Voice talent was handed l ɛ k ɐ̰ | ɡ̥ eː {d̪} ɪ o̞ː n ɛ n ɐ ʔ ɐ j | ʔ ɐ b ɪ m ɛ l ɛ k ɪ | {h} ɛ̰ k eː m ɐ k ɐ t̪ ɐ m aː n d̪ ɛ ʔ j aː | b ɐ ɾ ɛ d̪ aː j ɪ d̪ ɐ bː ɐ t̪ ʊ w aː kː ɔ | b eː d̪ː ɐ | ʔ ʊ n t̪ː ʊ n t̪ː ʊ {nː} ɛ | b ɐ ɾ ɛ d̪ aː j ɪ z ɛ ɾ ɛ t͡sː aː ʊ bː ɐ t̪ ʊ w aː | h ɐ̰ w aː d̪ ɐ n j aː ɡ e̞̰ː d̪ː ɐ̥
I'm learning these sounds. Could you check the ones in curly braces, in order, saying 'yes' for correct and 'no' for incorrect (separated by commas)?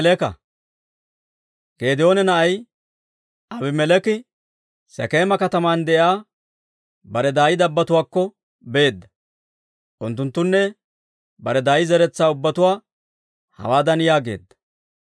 yes, no, yes